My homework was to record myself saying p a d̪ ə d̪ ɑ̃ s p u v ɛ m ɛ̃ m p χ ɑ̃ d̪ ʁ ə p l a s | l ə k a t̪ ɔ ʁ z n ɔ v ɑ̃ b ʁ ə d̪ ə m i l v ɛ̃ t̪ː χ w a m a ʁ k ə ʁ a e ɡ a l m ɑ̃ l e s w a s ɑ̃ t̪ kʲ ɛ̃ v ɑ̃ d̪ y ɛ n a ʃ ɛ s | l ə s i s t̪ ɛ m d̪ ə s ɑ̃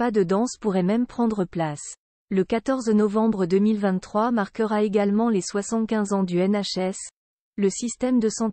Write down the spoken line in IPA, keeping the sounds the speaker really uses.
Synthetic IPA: p a d̪ ə d̪ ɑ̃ s p u ʁ ɛ m ɛ m p χ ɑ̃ d̪ ʁ ə p l a s | l ə k a t̪ ɔ ʁ z n ɔ v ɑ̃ b ʁ ə d̪ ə m i l v ɛ̃ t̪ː χ w a m a ʁ k ə ʁ a e ɡ a l m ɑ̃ l e s w a s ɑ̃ t̪ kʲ ɛ̃ z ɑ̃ d̪ y ɛ n a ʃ ɛ s | l ə s i s t̪ ɛ m d̪ ə s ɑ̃